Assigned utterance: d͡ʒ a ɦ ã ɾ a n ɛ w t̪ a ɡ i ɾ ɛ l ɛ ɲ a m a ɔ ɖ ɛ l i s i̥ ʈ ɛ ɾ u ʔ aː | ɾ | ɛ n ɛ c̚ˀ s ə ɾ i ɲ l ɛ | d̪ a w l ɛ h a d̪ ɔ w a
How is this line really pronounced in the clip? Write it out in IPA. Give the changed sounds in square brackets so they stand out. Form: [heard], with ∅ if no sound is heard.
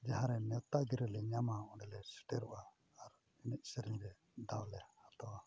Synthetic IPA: d͡ʒ a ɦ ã ɾ [ɛ] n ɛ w t̪ a ɡ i ɾ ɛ l ɛ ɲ a m a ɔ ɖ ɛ l [ɛ] s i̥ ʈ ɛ ɾ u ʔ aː | ɾ | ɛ n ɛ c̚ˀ s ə ɾ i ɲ [ɾ] ɛ | d̪ a w l ɛ h a [t̪] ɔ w a